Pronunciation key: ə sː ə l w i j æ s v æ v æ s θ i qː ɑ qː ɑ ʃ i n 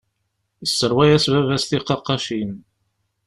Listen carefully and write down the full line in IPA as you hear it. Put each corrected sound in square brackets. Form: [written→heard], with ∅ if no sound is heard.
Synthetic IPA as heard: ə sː ə [l→ɾ] w [i→æ] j æ s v æ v æ s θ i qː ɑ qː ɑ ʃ i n